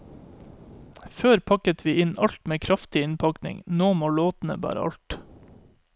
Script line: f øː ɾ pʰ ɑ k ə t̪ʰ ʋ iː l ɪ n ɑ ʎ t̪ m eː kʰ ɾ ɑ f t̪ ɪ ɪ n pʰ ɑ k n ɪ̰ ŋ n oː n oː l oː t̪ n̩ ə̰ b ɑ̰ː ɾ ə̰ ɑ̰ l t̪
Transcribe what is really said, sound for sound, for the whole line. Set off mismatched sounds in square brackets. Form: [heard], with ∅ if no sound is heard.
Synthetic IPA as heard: f øː ɾ pʰ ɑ k ə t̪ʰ ʋ iː [∅] ɪ n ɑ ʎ t̪ m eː kʰ ɾ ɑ f t̪ ɪ ɪ n pʰ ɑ k n ɪ̰ ŋ n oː [m] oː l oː t̪ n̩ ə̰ b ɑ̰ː ɾ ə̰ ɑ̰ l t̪